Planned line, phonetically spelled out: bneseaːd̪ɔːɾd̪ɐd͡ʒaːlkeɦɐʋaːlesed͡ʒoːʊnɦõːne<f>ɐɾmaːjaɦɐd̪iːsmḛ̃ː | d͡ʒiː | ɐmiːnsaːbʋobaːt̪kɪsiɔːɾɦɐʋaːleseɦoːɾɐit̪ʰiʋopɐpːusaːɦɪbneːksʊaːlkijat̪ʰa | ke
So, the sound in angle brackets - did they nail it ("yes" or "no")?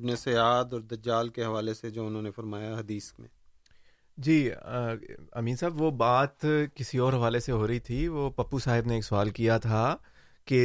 yes